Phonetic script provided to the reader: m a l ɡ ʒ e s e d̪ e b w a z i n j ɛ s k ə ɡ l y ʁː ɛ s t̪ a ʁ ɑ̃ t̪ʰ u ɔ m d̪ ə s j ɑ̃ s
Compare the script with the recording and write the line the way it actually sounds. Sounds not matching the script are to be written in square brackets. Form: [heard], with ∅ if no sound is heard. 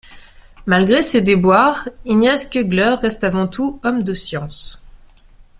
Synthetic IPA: m a l ɡ [ʁ] e s e d̪ e b w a [ʁ] i n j ɛ s k ə ɡ l [œ] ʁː ɛ s t̪ a [v] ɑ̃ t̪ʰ u ɔ m d̪ ə s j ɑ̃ s

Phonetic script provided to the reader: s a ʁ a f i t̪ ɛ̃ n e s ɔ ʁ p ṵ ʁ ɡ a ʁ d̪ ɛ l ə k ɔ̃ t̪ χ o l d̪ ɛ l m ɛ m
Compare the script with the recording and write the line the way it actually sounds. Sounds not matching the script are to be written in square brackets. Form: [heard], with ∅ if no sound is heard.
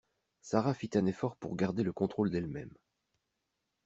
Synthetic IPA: s a ʁ a f i t̪ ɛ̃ n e [f] ɔ ʁ p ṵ ʁ ɡ a ʁ d̪ [e] l ə k ɔ̃ t̪ χ o l d̪ ɛ l m ɛ m

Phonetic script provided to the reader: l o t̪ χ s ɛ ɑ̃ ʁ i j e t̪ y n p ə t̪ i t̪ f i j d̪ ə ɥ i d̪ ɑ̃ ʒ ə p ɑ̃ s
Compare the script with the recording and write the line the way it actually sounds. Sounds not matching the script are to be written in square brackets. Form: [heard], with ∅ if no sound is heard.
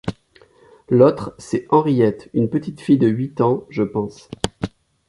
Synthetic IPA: l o t̪ χ s ɛ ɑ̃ ʁ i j [ɛ] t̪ y n p ə t̪ i t̪ f i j d̪ ə ɥ i [t̪] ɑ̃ ʒ ə p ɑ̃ s

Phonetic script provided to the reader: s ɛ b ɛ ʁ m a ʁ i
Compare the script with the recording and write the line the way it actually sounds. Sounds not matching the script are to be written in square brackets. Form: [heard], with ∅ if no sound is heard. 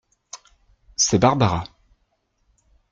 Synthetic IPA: s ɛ b [a] ʁ [b] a ʁ [a]

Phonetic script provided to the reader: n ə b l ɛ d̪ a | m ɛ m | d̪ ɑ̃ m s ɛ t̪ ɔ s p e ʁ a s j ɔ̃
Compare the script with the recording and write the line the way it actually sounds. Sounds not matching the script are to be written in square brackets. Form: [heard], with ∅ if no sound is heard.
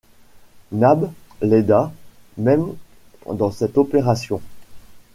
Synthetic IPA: n [a] b l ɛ d̪ a | m ɛ m | d̪ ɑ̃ [∅] s ɛ t̪ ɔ [∅] p e ʁ a s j ɔ̃

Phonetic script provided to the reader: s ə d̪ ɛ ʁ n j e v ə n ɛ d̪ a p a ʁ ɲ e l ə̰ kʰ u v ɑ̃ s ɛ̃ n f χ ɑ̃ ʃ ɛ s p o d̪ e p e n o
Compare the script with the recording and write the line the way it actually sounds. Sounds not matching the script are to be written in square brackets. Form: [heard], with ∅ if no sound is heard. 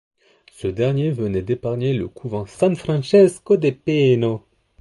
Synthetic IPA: s ə d̪ ɛ ʁ n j e v ə n ɛ d̪ [e] p a ʁ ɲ e l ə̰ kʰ u v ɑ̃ s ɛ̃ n f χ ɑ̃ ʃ ɛ s [k] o d̪ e p e n o

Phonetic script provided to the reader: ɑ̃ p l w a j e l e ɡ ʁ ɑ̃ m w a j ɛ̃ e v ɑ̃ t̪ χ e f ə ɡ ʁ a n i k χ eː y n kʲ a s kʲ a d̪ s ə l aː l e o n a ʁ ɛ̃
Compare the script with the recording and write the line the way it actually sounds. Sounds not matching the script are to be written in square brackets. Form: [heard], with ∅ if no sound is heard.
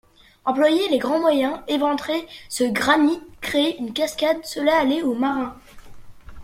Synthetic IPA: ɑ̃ p l w a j e l e ɡ ʁ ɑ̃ m w a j ɛ̃ e v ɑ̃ t̪ χ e [s] ə ɡ ʁ a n i k χ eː y n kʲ a s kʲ a d̪ s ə l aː l e o [m] a ʁ ɛ̃

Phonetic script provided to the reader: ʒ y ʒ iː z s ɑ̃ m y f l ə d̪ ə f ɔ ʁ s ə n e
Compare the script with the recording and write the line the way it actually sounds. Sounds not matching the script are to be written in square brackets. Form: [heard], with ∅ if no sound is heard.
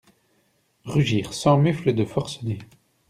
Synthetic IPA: [ʁ] y ʒ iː [ʁ] s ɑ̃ m y f l ə d̪ ə f ɔ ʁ s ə n e

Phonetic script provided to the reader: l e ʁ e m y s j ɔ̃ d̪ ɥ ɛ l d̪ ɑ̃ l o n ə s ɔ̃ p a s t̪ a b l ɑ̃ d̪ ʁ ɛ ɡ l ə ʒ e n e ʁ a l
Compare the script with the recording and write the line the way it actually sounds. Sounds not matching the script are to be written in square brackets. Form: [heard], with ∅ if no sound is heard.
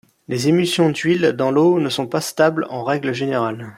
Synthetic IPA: l e [z] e m y s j ɔ̃ d̪ ɥ [i] l d̪ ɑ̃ l o n ə s ɔ̃ p a s t̪ a b l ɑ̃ [∅] ʁ ɛ ɡ l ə ʒ e n e ʁ a l

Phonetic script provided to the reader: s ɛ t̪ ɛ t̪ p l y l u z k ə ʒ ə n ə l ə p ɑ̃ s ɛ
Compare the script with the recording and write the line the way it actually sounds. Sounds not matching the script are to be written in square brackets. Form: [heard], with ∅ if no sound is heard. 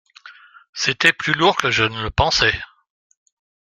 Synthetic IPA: s [e] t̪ ɛ [∅] p l y l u [ʁ] k ə ʒ ə n ə l ə p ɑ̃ s ɛ

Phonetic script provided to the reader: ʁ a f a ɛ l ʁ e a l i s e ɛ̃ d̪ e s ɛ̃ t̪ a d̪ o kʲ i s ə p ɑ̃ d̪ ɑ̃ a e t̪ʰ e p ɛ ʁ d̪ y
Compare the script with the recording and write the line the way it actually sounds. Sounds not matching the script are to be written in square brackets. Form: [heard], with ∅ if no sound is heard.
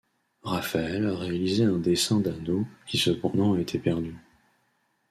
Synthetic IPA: ʁ a f a ɛ l ʁ e a l i [z] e ɛ̃ d̪ e s ɛ̃ [d̪] a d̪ o kʲ i s ə p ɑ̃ d̪ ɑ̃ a e t̪ʰ e p ɛ ʁ d̪ y

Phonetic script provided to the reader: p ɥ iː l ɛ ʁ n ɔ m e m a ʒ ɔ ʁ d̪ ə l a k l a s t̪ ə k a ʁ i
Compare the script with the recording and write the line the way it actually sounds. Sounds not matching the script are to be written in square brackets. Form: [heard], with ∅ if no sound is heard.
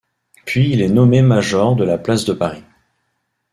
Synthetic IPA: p ɥ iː l ɛ [∅] n ɔ m e m a ʒ ɔ ʁ d̪ ə l a [p] l a s [d̪] ə [p] a ʁ i

